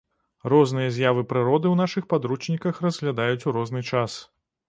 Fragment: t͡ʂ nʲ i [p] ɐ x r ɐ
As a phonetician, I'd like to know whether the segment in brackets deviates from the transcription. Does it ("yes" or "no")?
yes